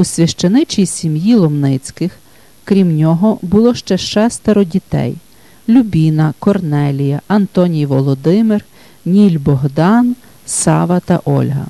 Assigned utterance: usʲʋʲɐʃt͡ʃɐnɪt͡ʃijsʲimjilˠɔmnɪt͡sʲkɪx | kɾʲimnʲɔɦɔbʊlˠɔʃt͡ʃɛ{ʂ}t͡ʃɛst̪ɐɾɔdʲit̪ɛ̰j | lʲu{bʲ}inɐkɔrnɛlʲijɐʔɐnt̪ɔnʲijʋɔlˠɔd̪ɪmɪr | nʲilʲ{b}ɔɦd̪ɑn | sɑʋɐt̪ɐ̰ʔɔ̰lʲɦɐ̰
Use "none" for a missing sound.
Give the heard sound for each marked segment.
ʃ, bʲ, b

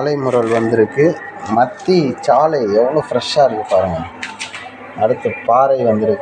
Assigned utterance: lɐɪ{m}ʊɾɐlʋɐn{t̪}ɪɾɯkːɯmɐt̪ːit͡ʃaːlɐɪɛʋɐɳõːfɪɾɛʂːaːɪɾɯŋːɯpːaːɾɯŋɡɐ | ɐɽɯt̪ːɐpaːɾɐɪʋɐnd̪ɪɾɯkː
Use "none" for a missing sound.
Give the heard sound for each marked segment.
m, d̪

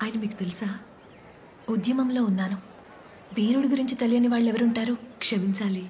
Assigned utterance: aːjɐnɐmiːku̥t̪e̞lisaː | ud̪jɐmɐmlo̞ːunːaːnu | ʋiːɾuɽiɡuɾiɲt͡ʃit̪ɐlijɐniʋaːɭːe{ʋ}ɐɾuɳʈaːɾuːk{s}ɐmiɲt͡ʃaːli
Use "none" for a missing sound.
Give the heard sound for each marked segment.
ʋ, ʂ

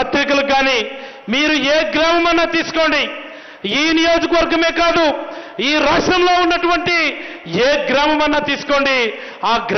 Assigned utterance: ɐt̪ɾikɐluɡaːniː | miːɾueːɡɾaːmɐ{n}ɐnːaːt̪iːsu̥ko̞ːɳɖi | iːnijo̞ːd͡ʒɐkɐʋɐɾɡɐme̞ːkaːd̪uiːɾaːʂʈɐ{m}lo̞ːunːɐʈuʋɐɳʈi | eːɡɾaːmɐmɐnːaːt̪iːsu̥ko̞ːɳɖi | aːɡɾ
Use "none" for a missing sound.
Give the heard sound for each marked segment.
m, m

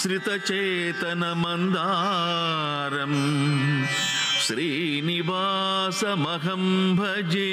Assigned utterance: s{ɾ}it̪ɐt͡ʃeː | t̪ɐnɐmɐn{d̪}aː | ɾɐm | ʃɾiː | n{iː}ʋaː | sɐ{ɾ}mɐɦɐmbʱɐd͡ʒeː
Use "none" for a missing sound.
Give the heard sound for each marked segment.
ɾ, d̪, i, none

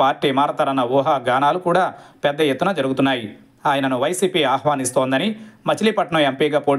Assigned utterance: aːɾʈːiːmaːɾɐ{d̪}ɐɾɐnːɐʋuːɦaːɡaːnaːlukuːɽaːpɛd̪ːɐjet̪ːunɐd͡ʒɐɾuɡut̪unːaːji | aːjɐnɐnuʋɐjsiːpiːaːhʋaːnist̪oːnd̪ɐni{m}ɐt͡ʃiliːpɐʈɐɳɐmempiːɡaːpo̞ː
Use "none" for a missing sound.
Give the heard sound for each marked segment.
t̪, m

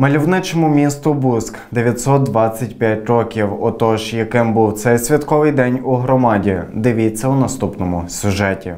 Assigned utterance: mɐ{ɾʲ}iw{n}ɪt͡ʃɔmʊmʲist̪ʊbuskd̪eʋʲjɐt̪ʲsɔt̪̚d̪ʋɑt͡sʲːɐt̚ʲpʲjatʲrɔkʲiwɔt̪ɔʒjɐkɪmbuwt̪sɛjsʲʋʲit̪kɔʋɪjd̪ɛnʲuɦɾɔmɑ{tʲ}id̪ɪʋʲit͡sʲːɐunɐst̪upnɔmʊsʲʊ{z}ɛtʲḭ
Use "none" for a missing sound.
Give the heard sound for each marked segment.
lʲ, n, dʲ, ʒ

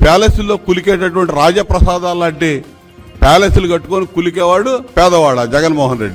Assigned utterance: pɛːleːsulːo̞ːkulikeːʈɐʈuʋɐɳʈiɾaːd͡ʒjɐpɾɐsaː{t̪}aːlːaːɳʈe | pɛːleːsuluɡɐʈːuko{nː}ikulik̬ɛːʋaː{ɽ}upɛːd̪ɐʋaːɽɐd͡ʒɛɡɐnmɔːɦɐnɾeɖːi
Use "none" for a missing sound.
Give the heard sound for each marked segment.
d̪, n, ɽ

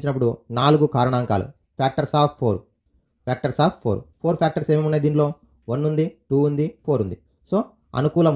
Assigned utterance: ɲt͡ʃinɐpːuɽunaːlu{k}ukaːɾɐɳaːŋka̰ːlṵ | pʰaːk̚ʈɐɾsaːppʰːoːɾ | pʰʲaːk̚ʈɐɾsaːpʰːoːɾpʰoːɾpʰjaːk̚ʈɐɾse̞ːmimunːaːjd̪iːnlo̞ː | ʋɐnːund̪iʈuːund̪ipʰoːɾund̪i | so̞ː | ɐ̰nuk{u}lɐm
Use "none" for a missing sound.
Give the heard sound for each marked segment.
ɡ, uː

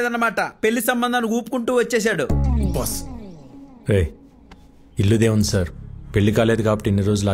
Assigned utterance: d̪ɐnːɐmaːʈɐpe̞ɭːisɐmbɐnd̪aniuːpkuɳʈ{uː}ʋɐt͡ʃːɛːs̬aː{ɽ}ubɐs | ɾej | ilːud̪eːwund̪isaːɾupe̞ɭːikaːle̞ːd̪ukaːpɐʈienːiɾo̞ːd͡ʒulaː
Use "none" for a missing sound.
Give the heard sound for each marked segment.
uː, ɽ

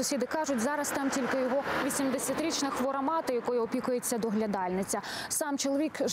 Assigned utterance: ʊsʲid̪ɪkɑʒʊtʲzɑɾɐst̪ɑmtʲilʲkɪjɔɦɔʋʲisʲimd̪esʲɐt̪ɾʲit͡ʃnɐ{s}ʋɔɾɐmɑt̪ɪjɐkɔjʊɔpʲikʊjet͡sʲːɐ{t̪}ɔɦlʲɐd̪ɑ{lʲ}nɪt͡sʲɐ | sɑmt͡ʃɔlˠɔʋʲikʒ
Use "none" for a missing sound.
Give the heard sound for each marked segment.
x, d̪, lʲ

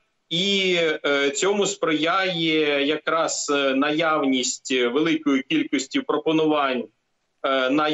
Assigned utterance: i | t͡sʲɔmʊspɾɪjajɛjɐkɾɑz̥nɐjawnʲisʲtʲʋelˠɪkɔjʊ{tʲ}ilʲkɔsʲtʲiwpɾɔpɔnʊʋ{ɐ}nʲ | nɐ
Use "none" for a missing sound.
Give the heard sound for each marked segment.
kʲ, ɑ

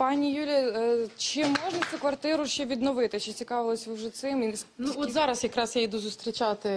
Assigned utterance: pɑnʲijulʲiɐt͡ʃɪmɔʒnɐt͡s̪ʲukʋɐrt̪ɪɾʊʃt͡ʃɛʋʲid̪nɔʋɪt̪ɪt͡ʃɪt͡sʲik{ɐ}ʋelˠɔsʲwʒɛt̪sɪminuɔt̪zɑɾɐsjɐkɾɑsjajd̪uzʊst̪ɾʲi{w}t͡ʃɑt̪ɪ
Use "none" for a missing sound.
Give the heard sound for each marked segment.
ɑ, none

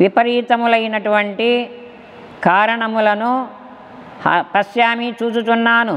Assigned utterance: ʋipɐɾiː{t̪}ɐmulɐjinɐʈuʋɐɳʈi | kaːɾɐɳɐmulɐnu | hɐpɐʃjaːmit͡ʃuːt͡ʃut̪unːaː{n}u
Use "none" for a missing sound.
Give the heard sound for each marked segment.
t̪, n

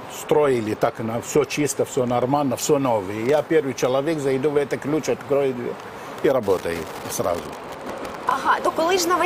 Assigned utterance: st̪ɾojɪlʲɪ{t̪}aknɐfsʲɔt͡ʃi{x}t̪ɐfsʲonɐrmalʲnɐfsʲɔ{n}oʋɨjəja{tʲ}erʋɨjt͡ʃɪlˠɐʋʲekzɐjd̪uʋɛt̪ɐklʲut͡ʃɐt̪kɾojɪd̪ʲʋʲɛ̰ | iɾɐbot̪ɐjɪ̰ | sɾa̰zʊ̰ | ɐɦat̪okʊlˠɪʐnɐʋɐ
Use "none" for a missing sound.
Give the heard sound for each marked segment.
t̪, s, n, pʲ

